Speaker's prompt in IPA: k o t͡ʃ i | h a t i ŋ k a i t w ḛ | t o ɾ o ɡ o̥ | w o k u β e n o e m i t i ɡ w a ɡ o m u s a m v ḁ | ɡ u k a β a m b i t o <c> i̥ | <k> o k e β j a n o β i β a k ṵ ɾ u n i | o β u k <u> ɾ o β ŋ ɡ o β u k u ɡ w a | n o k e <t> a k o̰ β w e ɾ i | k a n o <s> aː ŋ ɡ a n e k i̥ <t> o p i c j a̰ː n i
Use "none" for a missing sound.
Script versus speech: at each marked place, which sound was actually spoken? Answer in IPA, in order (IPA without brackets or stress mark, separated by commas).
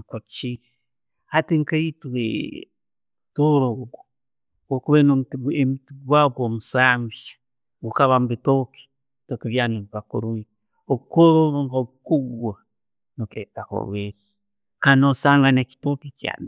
k, t, o, t, s, t